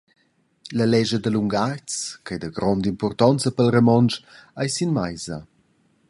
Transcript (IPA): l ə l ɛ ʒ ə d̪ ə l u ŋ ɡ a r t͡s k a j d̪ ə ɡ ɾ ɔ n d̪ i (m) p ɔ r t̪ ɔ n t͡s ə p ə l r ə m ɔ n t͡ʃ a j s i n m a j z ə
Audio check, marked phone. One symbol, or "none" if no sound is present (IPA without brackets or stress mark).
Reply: m